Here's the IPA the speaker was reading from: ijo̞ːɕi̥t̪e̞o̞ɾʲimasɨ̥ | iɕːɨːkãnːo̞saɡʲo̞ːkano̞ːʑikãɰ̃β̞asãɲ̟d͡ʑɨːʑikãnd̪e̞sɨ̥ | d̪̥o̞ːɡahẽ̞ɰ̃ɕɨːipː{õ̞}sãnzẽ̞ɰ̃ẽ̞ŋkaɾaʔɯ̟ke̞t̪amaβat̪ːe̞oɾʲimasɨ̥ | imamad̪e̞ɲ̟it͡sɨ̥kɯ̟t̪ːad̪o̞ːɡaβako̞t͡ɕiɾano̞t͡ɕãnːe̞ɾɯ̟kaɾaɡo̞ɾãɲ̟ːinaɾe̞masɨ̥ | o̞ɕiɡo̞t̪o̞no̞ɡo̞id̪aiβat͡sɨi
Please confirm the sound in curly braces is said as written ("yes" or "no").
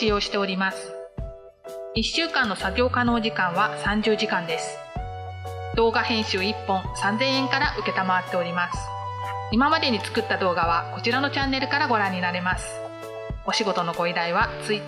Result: yes